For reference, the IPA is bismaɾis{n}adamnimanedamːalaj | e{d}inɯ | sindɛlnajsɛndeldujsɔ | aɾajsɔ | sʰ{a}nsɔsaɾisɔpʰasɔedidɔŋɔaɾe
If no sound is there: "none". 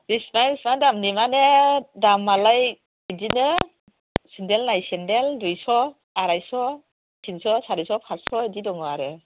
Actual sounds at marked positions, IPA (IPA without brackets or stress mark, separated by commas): m, d, i